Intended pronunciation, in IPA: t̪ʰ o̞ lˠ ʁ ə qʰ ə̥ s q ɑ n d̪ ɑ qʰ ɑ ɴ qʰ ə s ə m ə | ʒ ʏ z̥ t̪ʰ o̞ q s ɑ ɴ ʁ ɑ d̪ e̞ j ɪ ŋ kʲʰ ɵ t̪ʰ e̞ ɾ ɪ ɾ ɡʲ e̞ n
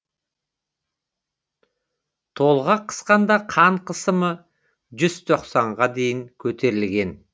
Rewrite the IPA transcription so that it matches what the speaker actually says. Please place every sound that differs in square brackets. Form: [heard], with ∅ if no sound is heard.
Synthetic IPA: t̪ʰ o̞ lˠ ʁ [ɑ] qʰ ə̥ s q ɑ n d̪ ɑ qʰ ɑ ɴ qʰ ə s ə m ə | ʒ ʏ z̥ t̪ʰ o̞ q s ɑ ɴ ʁ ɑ d̪ e̞ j ɪ ŋ kʲʰ ɵ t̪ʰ e̞ ɾ ɪ [l] ɡʲ e̞ n